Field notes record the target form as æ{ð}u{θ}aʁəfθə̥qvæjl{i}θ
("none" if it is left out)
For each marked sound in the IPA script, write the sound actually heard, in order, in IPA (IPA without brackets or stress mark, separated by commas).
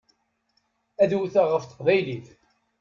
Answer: ð, θ, i